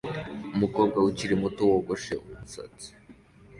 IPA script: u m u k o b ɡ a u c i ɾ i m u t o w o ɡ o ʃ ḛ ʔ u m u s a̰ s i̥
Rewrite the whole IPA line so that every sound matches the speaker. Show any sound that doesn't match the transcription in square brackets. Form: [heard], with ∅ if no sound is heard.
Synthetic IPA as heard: u m u k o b ɡ a u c i ɾ i m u t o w o ɡ o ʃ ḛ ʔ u m u s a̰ [t͡s] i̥